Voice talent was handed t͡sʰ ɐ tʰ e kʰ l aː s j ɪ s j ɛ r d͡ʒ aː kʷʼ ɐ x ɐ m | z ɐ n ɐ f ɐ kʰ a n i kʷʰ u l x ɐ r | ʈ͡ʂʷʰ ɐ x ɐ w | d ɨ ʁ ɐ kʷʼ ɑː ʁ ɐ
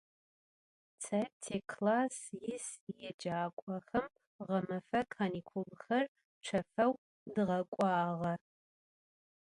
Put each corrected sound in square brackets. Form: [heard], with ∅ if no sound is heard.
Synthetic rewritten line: t͡sʰ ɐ tʰ e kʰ l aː s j ɪ s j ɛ [∅] d͡ʒ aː kʷʼ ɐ x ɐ m | [ʁ] ɐ [m] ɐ f ɐ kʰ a n i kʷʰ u l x ɐ r | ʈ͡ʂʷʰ ɐ [f] ɐ w | d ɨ ʁ ɐ kʷʼ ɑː ʁ ɐ